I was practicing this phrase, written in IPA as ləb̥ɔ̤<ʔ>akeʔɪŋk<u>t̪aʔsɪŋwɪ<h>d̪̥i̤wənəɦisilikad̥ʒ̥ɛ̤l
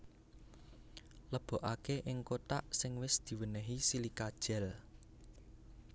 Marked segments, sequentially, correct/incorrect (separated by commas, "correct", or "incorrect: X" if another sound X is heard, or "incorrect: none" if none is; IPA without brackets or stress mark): correct, incorrect: o, incorrect: s